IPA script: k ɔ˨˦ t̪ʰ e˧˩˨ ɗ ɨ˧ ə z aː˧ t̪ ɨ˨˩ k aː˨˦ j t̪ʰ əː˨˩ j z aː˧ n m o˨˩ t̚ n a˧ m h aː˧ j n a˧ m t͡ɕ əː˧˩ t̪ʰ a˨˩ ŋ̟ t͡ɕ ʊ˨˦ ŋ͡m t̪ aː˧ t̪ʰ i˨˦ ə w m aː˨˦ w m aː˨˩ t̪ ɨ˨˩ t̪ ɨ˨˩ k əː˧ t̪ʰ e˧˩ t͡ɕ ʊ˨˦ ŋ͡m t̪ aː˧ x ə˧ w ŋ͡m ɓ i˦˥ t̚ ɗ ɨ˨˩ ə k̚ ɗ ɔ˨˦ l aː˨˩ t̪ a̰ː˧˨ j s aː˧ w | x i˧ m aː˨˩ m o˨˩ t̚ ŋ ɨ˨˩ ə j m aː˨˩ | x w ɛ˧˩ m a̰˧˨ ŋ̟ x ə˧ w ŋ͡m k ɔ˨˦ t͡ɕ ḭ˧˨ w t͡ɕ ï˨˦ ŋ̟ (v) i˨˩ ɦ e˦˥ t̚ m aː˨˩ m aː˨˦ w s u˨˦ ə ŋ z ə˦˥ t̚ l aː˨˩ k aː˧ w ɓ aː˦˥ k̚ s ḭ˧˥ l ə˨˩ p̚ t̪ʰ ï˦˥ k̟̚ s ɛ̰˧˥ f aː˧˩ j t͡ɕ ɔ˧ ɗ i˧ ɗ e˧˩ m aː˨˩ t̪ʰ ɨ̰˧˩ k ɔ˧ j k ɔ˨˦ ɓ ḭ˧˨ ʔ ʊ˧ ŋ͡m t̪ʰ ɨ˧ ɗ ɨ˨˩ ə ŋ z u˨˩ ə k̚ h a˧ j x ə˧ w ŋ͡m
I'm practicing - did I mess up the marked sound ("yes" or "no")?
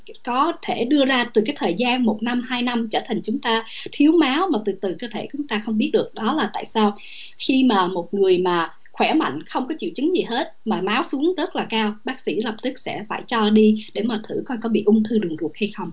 yes